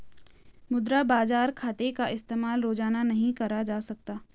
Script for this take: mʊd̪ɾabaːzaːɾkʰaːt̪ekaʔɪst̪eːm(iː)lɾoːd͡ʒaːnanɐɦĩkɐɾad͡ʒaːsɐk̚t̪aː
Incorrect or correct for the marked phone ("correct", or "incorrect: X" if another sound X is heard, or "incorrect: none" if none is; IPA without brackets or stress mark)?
incorrect: aː